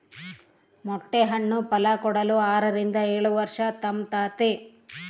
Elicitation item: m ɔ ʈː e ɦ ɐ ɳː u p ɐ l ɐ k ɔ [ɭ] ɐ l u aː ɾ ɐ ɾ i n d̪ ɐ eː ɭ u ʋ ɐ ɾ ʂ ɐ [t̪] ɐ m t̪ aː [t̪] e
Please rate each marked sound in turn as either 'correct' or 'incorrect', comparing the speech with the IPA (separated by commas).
incorrect, correct, correct